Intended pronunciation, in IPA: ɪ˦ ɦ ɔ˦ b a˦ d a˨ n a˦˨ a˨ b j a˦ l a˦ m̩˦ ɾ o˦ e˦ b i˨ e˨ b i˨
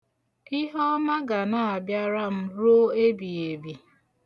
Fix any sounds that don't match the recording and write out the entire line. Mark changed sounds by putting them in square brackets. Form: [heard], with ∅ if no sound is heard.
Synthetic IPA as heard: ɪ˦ ɦ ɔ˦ [m] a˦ [ɡ] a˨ n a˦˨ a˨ b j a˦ [ɾ] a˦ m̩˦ ɾ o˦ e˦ b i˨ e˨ b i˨

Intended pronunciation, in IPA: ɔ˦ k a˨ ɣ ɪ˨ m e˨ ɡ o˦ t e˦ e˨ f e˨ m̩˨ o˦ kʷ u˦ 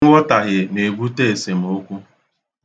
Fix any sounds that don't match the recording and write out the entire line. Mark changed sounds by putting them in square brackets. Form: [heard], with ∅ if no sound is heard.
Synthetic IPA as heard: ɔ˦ [t] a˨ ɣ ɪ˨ [n] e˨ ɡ [u˦] t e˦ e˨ [s] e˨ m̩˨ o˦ kʷ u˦

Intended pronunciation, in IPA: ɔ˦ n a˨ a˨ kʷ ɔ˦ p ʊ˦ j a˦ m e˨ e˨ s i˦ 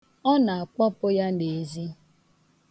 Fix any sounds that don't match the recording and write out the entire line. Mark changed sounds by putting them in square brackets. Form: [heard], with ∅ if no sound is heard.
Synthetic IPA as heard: ɔ˦ n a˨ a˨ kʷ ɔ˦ p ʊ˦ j a˦ [n] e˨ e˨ [z] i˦

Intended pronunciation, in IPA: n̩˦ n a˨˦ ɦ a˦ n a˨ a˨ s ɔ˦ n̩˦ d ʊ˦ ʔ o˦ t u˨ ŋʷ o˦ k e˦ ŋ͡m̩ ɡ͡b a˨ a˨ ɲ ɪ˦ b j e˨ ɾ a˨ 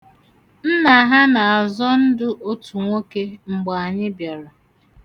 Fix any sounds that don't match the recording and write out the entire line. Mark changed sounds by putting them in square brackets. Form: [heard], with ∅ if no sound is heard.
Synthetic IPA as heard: n̩˦ n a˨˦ ɦ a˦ n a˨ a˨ [z] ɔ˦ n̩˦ d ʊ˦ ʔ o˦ t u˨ ŋʷ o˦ k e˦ ŋ͡m̩ ɡ͡b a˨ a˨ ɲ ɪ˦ b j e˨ ɾ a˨

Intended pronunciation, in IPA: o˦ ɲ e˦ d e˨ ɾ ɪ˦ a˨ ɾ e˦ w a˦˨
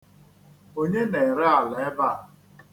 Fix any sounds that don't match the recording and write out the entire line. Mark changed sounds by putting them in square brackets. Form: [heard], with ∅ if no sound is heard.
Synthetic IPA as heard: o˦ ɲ e˦ [n] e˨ ɾ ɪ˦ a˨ [l] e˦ [b] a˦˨

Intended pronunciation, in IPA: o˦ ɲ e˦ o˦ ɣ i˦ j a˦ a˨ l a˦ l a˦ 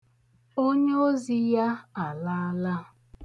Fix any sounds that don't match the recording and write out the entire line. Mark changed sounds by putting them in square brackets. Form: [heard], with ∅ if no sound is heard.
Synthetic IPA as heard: o˦ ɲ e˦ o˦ [z] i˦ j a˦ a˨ l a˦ l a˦

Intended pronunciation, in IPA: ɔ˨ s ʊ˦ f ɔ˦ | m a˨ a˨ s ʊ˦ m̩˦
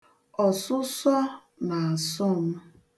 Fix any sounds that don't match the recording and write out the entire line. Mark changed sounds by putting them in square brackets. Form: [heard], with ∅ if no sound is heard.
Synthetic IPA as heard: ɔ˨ s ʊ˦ [s] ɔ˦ | [n] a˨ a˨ s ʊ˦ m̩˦

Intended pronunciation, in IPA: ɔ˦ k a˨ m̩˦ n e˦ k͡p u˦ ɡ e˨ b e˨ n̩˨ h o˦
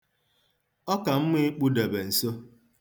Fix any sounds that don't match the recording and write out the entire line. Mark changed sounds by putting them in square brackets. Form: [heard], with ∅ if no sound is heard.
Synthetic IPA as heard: ɔ˦ k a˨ m̩˦ [m] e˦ k͡p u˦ [d] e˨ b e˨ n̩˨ [s] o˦

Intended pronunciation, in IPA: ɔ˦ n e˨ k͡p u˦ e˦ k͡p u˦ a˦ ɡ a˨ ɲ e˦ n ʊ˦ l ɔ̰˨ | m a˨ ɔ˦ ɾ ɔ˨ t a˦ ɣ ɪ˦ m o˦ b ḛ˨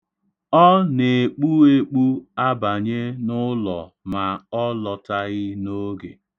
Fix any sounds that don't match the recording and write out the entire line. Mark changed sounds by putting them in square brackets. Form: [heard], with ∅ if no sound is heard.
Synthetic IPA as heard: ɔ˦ n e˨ k͡p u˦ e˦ k͡p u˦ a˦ [b] a˨ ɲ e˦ n ʊ˦ l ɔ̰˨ | m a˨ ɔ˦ [l] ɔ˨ t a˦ ɣ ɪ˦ [n] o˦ [ɡ] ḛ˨

